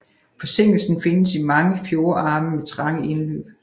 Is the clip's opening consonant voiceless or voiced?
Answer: voiceless